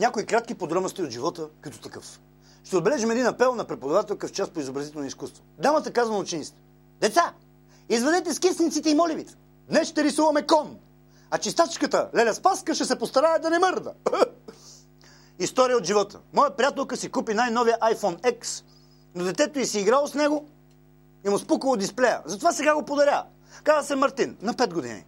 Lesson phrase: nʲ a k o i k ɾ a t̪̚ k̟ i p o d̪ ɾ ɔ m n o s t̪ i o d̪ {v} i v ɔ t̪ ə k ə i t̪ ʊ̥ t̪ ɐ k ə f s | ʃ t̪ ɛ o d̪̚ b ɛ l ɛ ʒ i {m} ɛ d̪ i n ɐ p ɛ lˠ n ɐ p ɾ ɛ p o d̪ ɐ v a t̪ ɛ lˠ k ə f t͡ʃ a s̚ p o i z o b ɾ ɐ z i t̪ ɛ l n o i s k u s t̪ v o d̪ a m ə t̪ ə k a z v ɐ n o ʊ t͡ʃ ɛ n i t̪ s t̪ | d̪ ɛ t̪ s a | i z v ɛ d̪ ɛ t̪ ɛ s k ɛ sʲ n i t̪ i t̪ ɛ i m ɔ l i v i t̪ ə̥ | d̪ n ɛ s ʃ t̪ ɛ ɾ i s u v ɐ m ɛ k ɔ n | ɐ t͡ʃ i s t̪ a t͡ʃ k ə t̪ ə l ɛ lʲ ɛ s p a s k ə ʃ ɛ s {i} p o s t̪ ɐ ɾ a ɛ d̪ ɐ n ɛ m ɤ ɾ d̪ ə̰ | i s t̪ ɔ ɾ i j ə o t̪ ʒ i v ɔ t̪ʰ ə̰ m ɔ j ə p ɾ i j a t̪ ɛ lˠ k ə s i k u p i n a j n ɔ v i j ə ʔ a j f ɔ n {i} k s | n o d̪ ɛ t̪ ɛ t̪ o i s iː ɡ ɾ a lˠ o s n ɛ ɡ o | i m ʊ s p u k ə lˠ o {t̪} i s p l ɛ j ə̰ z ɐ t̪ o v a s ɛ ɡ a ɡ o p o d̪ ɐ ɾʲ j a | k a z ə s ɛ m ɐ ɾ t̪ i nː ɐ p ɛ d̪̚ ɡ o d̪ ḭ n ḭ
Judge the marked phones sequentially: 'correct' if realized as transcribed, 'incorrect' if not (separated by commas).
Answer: incorrect, correct, incorrect, incorrect, incorrect